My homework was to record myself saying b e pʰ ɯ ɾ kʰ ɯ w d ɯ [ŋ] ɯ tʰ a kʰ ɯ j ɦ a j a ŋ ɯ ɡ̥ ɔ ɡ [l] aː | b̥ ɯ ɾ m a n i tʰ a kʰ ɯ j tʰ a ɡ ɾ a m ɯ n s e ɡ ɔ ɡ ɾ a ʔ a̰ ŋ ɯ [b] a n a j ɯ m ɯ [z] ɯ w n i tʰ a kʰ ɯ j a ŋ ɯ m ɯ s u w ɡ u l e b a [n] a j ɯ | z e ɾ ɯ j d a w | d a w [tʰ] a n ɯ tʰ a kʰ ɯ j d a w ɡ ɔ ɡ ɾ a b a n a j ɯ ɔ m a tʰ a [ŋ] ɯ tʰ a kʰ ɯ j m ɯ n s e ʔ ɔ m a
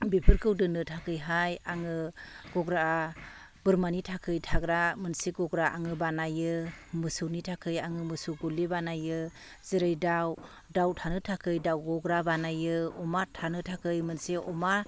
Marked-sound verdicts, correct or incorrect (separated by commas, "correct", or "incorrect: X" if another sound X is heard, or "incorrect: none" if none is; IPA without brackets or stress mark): incorrect: n, incorrect: ɾ, correct, incorrect: s, correct, correct, incorrect: n